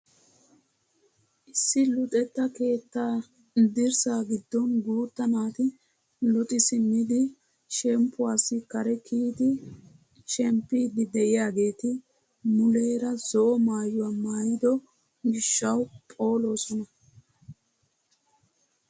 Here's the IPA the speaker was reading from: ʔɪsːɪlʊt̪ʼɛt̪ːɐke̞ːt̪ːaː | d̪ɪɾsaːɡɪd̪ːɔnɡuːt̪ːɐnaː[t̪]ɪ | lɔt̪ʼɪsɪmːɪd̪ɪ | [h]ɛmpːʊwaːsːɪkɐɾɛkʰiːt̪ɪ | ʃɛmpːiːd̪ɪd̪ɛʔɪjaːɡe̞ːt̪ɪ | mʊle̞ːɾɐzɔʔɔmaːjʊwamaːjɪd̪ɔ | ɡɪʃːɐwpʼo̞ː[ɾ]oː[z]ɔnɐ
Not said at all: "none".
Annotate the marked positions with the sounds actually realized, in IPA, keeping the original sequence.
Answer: t̪, ʃ, l, s

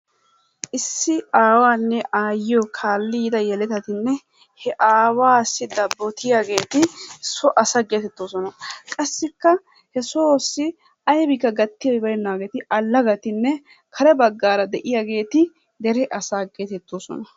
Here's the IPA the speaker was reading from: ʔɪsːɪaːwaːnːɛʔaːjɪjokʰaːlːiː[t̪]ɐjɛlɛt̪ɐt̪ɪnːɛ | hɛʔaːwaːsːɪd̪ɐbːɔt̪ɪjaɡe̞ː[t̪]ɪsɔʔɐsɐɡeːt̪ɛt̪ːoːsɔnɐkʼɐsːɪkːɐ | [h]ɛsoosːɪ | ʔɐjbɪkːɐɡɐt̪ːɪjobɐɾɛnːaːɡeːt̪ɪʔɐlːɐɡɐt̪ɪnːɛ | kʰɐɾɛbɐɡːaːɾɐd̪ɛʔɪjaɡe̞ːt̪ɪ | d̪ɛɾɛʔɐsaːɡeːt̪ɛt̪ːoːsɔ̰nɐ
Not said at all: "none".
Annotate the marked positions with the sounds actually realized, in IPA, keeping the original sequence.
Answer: d̪, t̪, h

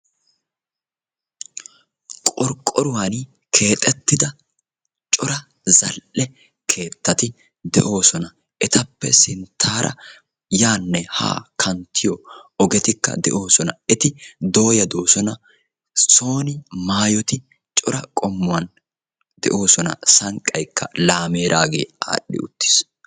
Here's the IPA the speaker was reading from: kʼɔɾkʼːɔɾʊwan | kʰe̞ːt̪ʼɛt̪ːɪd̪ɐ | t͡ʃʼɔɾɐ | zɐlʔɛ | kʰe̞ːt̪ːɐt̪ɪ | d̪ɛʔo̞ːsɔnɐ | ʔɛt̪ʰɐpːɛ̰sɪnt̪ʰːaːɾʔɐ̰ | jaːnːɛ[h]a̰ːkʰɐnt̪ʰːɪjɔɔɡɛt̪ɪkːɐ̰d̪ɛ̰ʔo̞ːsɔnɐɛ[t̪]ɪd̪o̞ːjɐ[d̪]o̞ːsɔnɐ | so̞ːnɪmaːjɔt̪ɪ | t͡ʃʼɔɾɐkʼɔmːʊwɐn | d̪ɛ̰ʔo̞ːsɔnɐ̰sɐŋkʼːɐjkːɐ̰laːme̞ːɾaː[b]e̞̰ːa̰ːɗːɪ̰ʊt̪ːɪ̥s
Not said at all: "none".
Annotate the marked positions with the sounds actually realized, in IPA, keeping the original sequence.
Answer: h, t̪, d̪, ɡ

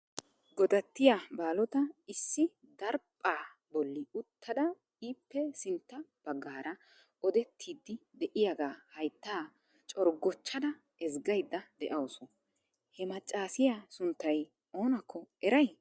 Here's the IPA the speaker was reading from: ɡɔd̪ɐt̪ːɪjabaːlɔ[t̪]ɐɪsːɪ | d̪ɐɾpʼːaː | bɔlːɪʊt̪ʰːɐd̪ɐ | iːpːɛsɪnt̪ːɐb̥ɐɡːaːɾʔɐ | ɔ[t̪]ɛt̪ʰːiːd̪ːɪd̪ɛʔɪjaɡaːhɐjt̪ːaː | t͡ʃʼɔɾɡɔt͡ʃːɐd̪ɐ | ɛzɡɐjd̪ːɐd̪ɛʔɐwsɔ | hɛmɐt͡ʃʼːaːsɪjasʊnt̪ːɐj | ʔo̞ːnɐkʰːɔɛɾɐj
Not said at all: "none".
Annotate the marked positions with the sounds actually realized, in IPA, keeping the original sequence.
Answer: t̪, d̪

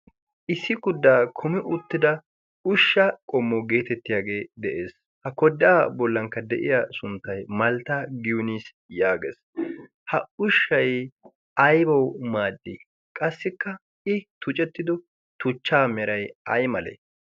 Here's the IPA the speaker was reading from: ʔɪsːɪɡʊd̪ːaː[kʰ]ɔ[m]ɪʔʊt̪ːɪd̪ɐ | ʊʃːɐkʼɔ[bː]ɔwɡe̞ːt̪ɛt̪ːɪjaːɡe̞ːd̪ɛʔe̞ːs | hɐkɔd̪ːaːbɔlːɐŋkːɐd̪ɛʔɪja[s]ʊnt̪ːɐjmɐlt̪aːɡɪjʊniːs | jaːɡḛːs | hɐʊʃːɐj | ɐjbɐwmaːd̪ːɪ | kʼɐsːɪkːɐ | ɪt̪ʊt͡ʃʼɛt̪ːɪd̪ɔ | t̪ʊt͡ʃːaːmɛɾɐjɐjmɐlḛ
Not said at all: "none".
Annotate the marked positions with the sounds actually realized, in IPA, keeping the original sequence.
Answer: kʰ, m, mː, s

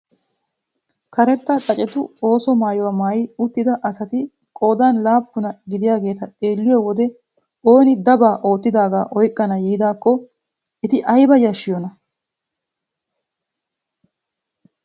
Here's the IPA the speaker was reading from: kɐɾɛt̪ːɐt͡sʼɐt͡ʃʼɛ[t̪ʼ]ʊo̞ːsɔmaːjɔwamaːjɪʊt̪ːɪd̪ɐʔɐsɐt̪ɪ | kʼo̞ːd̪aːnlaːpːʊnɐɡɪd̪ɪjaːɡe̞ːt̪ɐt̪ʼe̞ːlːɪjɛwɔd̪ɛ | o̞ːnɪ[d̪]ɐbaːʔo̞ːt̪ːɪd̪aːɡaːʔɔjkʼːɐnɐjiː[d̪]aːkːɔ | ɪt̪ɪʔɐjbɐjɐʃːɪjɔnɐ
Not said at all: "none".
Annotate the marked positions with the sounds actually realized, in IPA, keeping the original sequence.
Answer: t̪, d̪, d̪

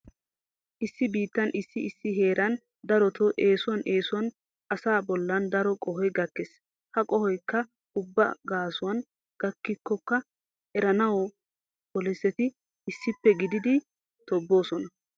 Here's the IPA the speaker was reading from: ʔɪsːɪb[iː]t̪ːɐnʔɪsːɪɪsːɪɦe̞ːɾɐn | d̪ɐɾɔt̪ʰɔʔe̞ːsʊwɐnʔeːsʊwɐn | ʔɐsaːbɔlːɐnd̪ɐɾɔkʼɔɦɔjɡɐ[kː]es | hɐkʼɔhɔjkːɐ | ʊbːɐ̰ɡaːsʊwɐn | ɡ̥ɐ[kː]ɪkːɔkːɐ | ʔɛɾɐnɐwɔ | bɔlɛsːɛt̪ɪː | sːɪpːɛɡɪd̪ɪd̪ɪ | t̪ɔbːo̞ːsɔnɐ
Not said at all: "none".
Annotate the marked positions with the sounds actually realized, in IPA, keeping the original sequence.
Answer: iː, kː, kː

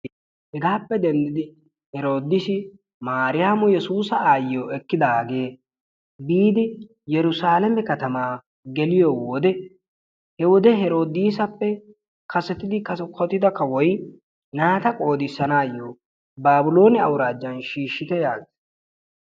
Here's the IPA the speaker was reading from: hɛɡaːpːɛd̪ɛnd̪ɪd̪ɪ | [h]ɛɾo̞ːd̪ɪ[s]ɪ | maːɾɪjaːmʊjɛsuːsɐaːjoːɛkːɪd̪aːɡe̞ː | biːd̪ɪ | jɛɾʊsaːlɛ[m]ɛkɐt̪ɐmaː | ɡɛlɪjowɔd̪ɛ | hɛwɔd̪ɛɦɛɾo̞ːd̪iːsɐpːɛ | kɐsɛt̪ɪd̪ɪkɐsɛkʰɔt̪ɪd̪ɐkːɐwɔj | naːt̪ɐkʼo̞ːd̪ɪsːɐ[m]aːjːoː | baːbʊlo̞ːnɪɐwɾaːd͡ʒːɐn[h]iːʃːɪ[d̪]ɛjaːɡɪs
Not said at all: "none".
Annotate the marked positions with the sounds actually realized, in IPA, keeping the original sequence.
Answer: h, s, m, n, ʃ, t̪

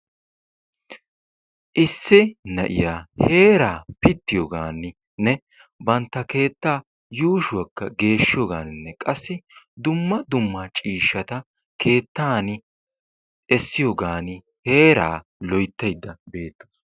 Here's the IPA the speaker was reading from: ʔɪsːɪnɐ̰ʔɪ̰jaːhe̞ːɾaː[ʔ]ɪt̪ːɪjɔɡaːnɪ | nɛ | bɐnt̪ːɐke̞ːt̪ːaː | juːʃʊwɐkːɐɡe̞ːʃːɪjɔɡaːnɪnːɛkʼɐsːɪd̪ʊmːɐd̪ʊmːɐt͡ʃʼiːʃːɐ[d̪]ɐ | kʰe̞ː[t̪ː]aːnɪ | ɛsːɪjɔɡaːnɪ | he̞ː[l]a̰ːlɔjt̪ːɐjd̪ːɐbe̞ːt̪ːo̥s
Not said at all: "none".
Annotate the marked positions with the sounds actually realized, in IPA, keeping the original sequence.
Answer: p, t̪, t̪ː, ɾ

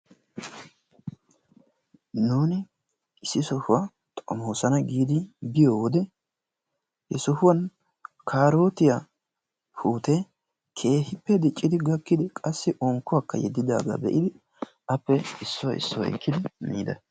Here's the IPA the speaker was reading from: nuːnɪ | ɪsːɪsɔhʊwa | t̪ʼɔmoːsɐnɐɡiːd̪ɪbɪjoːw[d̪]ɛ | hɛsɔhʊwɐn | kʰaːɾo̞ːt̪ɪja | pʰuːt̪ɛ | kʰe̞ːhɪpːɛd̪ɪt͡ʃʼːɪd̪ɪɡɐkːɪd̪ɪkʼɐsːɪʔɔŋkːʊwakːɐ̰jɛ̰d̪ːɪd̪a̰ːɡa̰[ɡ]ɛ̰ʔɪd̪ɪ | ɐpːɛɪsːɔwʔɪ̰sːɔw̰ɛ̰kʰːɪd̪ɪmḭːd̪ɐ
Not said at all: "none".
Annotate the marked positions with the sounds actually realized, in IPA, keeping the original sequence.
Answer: d̪, b

